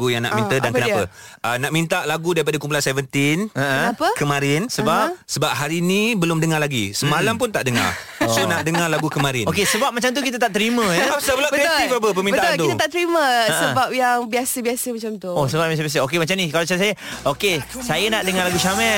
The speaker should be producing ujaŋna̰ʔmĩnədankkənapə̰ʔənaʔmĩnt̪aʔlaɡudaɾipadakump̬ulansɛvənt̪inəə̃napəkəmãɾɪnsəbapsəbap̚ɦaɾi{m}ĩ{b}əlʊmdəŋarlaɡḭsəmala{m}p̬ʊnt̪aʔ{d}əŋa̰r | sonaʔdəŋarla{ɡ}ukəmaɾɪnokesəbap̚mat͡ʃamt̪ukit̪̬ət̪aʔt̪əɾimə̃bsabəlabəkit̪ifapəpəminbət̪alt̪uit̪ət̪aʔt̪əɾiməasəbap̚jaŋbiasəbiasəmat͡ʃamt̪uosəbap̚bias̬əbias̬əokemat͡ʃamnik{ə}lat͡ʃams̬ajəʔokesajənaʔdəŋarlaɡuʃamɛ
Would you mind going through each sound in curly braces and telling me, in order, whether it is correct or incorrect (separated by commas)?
incorrect, correct, correct, correct, correct, incorrect